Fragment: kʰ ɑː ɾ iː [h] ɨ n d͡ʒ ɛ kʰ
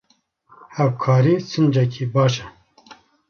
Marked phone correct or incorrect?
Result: incorrect